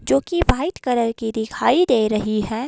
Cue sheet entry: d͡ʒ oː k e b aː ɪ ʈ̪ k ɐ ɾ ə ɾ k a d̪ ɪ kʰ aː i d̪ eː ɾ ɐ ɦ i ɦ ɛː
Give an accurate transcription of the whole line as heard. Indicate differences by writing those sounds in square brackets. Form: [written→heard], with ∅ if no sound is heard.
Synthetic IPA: d͡ʒ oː k [e→i] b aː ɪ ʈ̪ k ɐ ɾ ə ɾ k [a→i] d̪ ɪ kʰ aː i d̪ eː ɾ ɐ ɦ i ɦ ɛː